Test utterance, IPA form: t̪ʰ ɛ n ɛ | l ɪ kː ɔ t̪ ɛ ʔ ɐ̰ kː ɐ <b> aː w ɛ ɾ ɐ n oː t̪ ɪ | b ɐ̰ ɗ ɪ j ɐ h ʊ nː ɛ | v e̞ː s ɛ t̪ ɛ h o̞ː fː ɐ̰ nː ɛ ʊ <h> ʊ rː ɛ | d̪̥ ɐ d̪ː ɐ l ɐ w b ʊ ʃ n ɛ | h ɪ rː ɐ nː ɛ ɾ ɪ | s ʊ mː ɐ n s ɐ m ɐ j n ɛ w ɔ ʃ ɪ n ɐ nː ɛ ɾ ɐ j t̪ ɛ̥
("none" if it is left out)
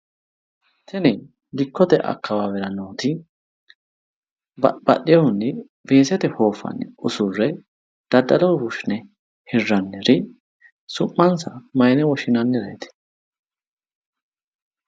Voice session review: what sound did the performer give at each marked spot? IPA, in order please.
w, s

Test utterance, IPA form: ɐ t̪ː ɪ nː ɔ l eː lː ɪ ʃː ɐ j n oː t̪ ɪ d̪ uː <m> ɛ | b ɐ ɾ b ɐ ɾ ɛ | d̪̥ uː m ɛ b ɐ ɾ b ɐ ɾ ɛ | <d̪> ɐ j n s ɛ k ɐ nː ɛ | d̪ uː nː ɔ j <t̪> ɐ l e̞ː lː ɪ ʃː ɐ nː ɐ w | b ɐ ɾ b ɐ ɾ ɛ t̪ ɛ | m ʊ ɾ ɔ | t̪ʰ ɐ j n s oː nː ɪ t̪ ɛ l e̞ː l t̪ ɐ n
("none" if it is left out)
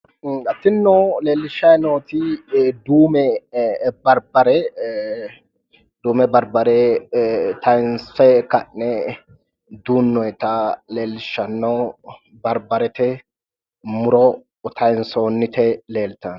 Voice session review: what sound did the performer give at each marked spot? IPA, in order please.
m, t̪, t̪

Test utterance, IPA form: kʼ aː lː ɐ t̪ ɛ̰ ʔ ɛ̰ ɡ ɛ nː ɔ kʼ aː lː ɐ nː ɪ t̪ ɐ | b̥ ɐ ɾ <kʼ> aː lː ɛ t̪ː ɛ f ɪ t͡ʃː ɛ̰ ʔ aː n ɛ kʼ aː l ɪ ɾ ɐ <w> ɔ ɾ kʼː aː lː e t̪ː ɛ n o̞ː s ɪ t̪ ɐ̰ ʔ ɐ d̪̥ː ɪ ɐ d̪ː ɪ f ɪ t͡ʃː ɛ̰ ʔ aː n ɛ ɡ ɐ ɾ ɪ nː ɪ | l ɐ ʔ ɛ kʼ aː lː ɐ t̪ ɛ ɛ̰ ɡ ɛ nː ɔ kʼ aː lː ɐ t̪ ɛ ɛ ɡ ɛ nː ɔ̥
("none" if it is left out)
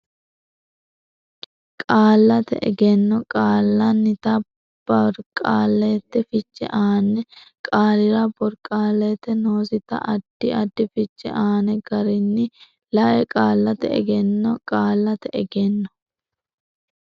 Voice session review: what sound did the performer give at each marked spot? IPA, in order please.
kʼ, b

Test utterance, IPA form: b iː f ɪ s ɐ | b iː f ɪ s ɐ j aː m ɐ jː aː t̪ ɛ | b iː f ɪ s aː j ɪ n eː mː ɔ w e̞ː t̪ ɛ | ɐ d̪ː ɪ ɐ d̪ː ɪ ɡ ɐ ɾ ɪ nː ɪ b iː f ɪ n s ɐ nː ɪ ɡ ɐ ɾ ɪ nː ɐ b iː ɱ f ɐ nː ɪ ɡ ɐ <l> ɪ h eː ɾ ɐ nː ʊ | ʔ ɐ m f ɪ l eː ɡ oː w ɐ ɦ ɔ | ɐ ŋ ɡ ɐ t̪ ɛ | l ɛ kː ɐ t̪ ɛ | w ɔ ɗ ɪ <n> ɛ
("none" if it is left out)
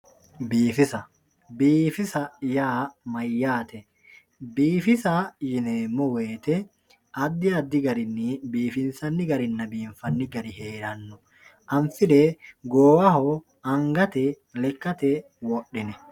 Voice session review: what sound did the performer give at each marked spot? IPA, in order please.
ɾ, n

